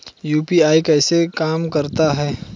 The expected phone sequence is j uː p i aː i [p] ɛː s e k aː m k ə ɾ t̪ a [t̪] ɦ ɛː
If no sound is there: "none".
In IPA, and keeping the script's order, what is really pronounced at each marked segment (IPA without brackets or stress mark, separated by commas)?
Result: k, none